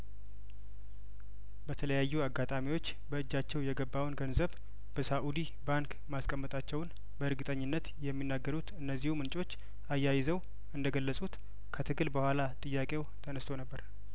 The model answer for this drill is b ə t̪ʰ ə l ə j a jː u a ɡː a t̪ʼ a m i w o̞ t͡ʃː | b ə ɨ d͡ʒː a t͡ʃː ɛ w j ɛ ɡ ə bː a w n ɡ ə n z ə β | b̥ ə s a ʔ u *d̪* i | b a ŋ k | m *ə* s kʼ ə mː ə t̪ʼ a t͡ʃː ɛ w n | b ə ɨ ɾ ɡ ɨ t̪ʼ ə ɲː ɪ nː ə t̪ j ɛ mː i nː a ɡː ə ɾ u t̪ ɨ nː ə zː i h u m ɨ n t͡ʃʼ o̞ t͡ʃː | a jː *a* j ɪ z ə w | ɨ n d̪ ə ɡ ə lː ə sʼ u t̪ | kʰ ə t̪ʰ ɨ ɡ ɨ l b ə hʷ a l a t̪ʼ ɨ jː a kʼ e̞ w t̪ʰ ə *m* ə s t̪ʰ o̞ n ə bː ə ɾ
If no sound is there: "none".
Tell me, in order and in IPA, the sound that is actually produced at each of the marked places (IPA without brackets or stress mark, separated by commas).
d̪, a, a, n